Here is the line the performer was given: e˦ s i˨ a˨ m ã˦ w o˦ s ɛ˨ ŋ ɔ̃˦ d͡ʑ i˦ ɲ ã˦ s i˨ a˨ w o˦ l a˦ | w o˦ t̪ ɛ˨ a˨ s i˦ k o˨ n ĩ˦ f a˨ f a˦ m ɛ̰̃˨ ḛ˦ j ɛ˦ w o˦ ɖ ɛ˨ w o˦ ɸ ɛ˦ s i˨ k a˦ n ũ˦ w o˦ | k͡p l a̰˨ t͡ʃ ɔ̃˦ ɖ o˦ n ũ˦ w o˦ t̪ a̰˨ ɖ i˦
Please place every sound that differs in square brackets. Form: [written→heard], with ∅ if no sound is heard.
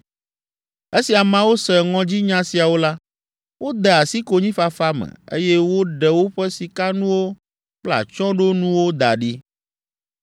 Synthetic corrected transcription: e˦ s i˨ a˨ m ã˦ w o˦ s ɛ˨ ŋ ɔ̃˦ d͡ʑ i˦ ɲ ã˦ s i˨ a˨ w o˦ l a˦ | w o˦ [t̪→d̪] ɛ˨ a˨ s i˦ k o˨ [n→ɲ] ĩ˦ f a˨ f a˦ m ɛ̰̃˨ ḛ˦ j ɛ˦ w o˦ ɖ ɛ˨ w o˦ ɸ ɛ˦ s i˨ k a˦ n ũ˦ w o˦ | k͡p l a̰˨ t͡ʃ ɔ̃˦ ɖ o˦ n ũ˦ w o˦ [t̪→d̪] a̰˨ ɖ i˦